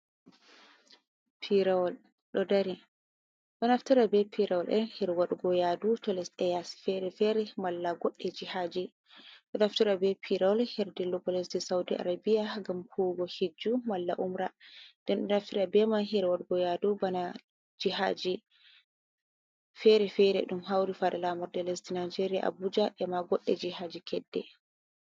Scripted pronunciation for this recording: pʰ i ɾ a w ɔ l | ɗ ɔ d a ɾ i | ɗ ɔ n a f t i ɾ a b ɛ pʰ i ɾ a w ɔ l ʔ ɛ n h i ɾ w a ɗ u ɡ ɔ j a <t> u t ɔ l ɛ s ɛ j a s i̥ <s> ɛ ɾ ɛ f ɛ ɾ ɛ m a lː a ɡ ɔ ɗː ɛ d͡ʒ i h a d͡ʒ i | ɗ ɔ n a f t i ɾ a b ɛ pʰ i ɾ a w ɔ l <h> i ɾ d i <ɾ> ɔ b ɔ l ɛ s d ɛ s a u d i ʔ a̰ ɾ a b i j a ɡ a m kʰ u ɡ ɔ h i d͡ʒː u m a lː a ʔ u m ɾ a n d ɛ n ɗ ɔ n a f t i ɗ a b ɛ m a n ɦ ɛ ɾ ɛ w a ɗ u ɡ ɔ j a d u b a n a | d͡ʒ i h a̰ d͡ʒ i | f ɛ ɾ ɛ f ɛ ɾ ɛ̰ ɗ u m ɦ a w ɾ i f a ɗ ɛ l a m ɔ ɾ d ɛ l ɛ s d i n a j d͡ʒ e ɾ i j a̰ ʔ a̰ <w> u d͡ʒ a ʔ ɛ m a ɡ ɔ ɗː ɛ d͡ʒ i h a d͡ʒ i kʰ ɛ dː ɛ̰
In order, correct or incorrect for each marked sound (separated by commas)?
incorrect, incorrect, correct, incorrect, incorrect